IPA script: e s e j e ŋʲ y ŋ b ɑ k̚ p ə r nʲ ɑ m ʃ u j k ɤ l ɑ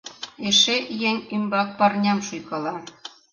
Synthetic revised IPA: e ʃ e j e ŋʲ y m b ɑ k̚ p ɑ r nʲ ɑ m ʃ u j k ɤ l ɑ